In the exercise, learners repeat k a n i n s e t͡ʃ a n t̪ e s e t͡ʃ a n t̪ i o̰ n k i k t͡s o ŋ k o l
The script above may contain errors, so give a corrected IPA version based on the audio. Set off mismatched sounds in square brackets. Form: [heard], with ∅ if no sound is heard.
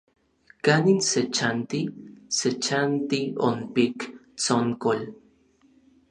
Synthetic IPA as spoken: k a n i n s e t͡ʃ a n t̪ [i] s e t͡ʃ a n t̪ i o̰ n [p] i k t͡s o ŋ k o l